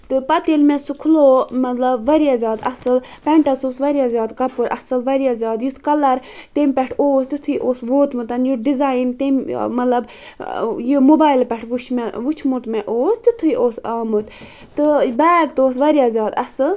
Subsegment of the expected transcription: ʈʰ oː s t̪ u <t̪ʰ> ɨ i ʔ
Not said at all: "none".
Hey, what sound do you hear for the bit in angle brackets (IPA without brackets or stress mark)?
t̪ʰ